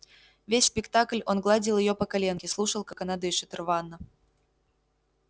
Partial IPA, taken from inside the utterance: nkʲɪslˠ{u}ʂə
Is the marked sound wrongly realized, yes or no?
no